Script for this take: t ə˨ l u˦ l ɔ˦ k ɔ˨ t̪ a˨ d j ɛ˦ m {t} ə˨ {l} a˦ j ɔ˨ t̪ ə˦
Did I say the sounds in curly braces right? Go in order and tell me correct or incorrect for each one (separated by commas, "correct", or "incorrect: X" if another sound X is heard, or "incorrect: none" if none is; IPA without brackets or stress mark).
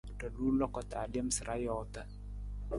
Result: incorrect: s, incorrect: ɾ